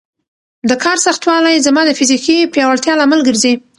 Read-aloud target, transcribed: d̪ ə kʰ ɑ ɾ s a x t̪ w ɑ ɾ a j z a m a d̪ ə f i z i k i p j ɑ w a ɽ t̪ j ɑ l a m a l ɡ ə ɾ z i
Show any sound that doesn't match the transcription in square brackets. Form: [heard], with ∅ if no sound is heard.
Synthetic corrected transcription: d̪ ə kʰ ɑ ɾ s a x t̪ w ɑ [l] a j z a m [ɑ] d̪ ə f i z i k i p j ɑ w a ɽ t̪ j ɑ l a m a l ɡ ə ɾ z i